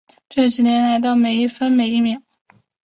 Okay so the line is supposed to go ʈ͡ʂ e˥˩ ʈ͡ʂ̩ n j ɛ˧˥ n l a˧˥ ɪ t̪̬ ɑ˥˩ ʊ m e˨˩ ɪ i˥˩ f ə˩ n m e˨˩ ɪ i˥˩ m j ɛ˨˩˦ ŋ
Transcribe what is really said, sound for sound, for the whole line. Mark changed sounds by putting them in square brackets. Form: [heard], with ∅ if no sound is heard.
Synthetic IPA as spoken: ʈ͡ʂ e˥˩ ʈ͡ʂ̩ n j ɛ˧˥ n l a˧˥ ɪ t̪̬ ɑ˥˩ ʊ m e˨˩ ɪ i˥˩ f [ə˥] n m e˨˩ ɪ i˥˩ m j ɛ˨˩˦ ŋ